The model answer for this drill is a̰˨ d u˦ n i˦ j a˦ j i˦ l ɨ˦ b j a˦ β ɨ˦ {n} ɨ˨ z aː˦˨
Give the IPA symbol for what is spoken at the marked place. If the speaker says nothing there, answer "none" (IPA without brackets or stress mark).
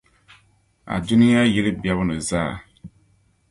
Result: n